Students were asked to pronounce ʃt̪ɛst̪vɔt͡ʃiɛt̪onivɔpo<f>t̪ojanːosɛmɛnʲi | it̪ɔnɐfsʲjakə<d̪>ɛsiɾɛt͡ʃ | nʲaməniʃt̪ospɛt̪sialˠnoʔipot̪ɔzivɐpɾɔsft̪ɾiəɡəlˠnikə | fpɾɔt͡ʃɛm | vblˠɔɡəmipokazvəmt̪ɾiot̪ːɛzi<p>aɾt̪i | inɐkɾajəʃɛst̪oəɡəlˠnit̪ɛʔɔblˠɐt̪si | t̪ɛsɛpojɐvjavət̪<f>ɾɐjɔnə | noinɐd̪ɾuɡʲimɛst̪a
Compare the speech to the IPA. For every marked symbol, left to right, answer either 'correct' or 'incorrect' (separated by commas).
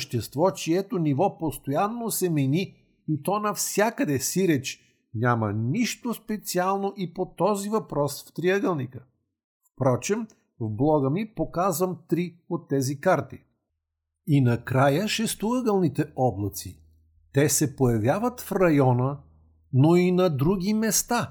incorrect, correct, incorrect, correct